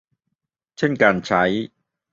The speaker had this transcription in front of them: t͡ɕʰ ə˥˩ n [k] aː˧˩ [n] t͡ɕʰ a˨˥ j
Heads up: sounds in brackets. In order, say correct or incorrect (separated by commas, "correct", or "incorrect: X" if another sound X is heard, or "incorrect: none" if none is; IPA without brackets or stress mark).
correct, correct